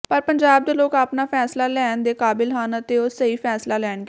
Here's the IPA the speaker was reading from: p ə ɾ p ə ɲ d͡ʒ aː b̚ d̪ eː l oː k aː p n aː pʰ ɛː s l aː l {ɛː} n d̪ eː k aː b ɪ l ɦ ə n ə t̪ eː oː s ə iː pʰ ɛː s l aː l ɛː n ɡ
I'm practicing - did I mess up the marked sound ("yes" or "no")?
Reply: no